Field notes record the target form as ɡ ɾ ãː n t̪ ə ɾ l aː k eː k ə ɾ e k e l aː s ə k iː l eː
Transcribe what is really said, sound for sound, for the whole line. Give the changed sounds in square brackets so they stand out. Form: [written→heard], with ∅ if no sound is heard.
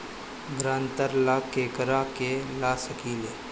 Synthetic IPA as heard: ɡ ɾ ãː n t̪ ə ɾ l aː k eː k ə ɾ [e→a] k e l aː s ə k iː l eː

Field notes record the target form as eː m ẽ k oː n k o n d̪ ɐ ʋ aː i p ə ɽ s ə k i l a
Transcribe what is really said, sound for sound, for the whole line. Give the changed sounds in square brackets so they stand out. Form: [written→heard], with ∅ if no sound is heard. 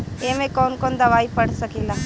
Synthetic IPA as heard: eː m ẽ k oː n k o n d̪ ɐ ʋ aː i p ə ɽ s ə k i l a

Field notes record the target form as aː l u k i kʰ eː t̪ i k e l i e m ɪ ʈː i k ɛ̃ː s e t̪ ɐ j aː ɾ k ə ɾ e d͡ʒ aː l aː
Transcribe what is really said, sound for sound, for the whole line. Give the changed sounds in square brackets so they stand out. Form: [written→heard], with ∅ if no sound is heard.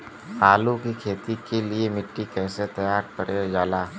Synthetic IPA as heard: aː l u k i kʰ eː t̪ i k e l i e m ɪ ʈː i k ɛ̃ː s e t̪ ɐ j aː ɾ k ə ɾ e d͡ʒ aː l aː

